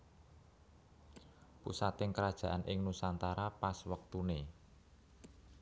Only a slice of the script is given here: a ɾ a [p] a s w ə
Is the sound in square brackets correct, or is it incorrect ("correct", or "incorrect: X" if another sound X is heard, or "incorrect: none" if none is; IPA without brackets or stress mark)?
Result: correct